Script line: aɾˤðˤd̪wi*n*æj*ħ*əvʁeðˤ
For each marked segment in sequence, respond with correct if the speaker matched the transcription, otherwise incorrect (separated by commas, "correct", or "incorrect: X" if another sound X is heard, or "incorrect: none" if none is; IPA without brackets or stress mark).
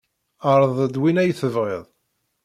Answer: correct, incorrect: θ